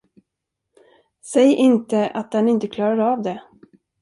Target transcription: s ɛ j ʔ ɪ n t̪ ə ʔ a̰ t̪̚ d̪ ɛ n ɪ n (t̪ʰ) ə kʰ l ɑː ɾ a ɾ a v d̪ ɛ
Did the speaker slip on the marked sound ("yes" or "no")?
yes